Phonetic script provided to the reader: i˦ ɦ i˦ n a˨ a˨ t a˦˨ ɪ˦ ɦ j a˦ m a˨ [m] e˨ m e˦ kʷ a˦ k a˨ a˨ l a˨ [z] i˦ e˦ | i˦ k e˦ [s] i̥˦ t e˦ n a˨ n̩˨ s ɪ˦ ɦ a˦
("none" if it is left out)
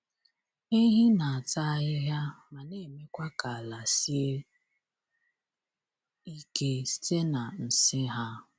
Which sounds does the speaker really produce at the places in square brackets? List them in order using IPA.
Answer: n, s, s

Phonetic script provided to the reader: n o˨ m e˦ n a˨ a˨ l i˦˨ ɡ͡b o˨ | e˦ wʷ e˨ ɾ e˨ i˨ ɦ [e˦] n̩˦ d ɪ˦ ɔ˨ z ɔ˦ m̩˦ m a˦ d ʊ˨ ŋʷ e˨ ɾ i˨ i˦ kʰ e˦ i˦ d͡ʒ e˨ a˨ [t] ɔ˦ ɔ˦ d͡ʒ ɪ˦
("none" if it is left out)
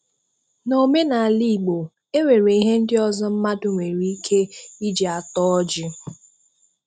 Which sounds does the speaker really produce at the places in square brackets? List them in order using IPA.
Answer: e˦, t

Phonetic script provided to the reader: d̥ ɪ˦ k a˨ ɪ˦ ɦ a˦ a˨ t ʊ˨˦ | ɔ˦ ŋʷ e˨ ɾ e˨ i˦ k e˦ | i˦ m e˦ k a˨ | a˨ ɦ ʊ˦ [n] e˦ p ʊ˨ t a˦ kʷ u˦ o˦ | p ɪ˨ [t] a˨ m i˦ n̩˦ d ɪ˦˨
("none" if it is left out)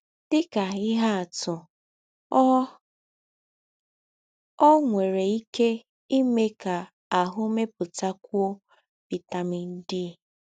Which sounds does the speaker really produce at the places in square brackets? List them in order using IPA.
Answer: m, t

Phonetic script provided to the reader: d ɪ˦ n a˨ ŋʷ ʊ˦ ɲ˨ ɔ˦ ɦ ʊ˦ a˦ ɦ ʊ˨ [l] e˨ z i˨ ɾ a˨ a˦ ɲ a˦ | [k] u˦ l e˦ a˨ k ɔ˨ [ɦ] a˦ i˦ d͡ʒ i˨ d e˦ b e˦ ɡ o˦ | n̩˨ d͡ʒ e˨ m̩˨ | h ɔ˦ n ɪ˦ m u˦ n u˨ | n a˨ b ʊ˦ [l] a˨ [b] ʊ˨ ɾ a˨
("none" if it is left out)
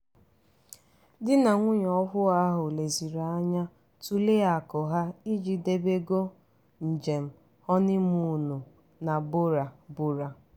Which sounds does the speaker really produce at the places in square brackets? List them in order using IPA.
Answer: l, t, ɦ, ɾ, b

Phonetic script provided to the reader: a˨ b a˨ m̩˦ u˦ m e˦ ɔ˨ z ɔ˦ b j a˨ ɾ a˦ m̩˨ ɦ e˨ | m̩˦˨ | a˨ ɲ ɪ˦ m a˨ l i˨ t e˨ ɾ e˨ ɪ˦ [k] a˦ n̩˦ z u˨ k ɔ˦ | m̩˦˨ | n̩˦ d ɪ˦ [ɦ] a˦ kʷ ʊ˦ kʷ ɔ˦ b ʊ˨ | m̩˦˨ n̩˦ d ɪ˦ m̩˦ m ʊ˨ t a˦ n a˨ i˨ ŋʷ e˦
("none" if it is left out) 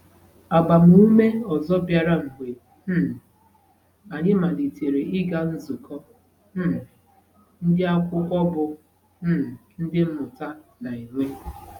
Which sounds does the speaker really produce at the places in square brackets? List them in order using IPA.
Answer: ɡ, none

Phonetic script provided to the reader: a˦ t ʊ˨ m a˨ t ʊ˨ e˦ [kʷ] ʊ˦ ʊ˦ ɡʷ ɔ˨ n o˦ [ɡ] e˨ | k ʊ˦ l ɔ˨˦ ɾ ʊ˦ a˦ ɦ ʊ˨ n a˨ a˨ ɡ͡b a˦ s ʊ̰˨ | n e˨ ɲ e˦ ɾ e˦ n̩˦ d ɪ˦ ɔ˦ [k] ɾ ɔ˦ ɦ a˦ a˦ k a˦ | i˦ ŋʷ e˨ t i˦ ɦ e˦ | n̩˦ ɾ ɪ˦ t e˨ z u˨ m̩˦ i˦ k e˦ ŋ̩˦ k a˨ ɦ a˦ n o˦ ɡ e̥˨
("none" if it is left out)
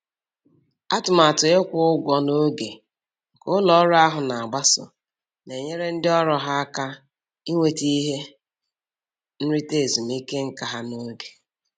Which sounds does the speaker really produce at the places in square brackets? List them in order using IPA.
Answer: kʷ, ɡ, none

